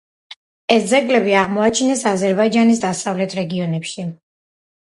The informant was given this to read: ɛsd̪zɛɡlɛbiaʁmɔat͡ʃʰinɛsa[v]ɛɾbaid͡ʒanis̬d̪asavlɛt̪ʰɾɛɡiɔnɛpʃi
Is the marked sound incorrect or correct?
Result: incorrect